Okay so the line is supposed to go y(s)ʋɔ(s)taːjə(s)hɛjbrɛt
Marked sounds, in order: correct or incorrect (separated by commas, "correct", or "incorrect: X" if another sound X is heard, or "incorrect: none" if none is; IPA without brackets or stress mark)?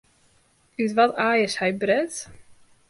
incorrect: t, incorrect: none, correct